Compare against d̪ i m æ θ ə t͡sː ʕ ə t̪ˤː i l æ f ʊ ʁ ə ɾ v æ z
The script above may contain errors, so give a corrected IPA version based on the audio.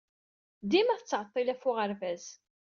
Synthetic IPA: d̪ i m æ θ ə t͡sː ʕ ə t̪ˤː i l æ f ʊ ʁ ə ɾ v æ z